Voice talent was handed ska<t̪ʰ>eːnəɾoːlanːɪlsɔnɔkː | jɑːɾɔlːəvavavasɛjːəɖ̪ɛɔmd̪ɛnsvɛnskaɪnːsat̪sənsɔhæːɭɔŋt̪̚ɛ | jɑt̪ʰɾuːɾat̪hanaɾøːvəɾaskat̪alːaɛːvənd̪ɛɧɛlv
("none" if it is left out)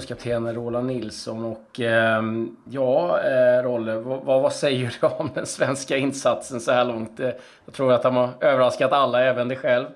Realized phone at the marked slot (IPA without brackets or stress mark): t̪ʰ